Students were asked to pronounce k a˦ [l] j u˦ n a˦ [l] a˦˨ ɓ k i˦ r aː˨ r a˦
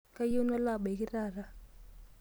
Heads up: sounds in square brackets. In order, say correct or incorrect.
incorrect, correct

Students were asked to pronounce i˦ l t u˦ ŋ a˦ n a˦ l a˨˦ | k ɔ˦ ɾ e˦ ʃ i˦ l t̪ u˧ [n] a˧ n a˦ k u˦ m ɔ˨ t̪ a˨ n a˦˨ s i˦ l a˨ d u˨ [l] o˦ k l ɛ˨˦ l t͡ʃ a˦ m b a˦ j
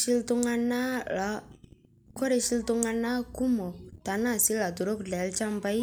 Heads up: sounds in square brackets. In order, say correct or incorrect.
incorrect, incorrect

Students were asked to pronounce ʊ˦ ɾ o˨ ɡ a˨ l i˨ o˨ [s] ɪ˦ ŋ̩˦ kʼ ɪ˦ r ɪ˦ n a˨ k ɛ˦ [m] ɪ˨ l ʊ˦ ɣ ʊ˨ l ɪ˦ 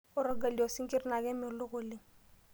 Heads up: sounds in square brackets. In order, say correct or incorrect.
correct, correct

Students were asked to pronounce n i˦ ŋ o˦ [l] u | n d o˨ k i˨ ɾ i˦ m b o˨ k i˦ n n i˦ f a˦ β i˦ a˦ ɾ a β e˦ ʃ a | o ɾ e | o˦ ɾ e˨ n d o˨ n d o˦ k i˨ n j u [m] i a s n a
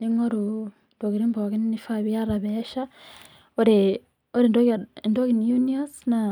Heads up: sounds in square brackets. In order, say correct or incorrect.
incorrect, incorrect

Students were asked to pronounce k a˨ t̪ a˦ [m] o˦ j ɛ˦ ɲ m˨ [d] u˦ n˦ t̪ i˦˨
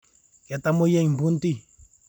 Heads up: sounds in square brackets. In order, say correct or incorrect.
correct, incorrect

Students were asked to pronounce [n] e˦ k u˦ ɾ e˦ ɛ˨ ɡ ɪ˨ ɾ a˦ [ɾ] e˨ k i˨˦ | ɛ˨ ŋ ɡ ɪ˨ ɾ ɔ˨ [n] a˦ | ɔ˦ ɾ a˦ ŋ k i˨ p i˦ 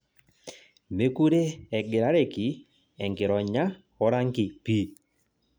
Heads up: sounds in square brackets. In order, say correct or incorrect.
incorrect, correct, incorrect

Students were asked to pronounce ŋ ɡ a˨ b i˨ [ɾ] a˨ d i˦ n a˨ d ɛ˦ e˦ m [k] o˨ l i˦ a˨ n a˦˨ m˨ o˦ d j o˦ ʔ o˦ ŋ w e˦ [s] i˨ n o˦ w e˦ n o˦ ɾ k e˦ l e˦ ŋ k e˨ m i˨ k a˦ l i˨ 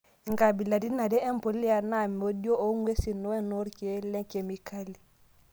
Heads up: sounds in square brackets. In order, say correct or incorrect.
incorrect, incorrect, correct

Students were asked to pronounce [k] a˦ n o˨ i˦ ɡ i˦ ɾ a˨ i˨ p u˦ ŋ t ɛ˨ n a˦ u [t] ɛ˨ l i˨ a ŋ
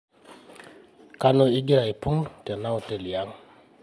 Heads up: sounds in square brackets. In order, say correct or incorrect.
correct, correct

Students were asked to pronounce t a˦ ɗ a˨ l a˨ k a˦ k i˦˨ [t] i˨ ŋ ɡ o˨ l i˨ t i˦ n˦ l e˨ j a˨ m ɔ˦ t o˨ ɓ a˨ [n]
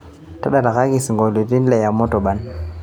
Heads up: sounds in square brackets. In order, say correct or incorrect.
incorrect, correct

